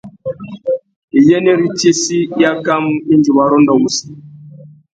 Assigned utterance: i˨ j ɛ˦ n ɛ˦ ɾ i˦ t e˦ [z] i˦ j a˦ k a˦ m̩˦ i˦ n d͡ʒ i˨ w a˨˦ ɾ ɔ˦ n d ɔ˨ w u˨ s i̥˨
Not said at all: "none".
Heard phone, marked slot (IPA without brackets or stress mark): s